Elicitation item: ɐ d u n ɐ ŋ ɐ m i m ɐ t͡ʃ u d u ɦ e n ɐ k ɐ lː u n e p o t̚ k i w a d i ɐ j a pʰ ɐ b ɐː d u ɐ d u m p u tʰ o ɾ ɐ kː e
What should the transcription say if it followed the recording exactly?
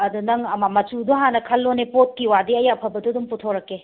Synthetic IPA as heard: ɐ d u n ɐ ŋ ɐ m a m ɐ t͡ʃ u d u ɦ a n ɐ kʰ ɐ lː o n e p o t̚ k i w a d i ɐ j a pʰ ɐ b ɐ d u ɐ d u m p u tʰ o ɾ ɐ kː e

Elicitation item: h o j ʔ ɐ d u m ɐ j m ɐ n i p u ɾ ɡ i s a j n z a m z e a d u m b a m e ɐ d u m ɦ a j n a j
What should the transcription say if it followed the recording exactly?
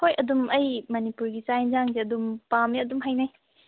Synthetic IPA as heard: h o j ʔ ɐ d u m ɐ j m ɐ n i p u ɾ ɡ i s a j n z a ŋ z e ɐ d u m p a m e ɐ d u m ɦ a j n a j

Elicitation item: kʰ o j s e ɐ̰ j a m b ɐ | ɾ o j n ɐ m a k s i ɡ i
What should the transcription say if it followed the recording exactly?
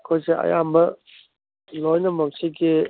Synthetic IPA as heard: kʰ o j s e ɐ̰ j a m b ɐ | l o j n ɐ m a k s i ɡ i

